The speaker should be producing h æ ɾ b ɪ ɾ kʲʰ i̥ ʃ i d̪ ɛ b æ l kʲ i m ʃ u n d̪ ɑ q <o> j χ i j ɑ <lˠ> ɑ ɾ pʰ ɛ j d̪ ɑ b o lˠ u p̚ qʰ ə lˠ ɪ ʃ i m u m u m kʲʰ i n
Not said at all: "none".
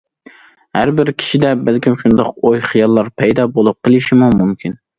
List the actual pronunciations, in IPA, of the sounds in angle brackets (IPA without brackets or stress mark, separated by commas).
o, lˠː